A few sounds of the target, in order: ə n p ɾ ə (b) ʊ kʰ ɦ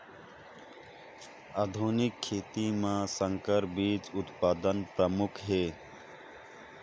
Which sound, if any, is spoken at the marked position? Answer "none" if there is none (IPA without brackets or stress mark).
m